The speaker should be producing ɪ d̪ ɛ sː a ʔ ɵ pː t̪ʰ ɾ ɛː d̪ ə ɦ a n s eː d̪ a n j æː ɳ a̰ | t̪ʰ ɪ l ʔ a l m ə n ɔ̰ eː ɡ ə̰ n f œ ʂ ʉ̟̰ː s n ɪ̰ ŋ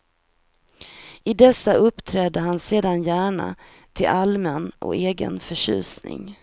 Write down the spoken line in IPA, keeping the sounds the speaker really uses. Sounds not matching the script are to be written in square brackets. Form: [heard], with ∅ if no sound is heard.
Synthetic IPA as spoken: ɪ d̪ ɛ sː a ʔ ɵ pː t̪ʰ ɾ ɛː d̪ ə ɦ a n s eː d̪ a n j æː ɳ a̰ | t̪ʰ ɪ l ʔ a l m ə n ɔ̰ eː ɡ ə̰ n f œ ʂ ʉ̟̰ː s n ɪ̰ ŋ